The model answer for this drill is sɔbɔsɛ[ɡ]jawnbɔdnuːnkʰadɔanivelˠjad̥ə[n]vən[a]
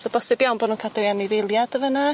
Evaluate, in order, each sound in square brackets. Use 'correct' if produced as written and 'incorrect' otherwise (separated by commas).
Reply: incorrect, incorrect, correct